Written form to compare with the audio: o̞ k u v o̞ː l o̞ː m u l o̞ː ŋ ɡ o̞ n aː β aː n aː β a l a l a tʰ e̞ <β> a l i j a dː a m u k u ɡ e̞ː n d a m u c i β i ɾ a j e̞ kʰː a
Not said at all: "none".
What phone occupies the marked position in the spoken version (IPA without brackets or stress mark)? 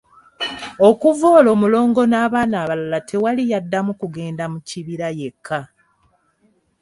w